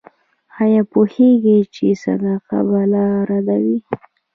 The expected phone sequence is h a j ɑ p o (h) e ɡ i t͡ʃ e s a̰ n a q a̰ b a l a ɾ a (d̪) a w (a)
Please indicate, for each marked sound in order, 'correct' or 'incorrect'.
correct, correct, incorrect: i

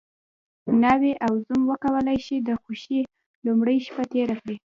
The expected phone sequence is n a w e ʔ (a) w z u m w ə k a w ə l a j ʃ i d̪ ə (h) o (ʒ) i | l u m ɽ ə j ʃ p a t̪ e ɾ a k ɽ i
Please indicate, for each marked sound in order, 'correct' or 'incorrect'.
correct, incorrect: x, incorrect: ʃ

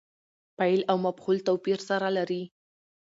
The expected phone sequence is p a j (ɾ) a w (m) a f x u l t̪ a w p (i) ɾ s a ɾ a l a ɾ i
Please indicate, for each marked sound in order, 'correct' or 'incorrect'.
incorrect: l, correct, correct

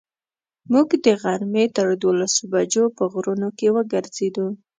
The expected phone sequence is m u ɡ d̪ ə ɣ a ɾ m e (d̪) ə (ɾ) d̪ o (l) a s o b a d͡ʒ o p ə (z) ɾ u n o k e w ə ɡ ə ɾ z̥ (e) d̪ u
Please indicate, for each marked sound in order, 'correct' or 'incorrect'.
incorrect: t̪, correct, correct, incorrect: ɣ, correct

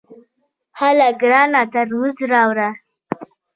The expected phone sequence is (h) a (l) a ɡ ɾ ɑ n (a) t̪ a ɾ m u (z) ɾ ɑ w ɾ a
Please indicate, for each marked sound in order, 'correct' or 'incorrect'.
correct, correct, correct, correct

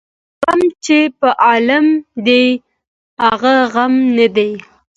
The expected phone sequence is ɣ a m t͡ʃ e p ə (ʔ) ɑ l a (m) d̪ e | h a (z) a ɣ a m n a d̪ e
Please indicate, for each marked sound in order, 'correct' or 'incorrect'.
correct, correct, incorrect: ɣ

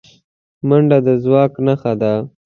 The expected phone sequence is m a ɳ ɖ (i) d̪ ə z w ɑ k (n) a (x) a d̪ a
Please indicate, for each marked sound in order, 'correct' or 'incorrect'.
incorrect: a, correct, correct

